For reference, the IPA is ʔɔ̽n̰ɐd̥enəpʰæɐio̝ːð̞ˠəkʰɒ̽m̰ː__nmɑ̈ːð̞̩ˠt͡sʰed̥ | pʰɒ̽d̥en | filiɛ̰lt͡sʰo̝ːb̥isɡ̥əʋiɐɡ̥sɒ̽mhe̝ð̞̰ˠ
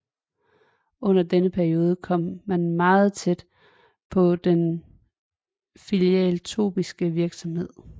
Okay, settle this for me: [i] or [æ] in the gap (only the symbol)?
æ